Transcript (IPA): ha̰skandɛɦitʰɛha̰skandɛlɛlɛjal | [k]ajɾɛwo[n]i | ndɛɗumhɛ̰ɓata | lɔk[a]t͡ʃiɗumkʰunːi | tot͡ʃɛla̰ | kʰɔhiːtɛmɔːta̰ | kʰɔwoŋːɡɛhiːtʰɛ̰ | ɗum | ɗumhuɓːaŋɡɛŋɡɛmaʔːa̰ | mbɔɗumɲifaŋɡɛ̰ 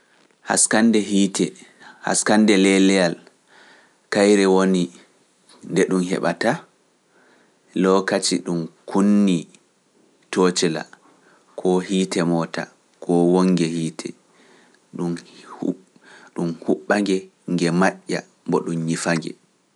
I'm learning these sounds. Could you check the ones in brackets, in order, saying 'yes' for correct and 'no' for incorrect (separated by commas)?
yes, yes, yes